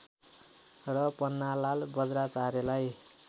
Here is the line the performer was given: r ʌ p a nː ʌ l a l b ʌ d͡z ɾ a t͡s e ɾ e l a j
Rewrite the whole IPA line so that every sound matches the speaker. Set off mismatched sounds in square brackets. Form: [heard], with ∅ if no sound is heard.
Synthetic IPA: r ʌ p [ʌ] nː [a] l a l b ʌ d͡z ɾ a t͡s [a] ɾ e l a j